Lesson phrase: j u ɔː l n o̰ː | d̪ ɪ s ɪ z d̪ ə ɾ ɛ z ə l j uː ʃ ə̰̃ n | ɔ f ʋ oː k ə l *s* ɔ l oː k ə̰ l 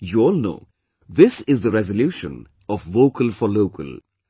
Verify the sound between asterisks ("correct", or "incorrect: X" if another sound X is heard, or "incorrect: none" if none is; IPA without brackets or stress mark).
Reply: incorrect: f